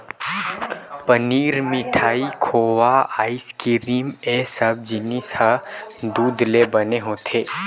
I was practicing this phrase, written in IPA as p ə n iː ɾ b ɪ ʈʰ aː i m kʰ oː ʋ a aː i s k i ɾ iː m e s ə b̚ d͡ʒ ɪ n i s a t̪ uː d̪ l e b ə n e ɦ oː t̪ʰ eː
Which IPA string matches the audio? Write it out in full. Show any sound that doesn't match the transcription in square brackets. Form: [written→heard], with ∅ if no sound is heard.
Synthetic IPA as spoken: p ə n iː ɾ [b→m] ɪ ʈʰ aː i [m→∅] kʰ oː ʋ a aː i s k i ɾ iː m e s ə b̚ d͡ʒ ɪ n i s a [t̪→d̪] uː d̪ l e b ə n e ɦ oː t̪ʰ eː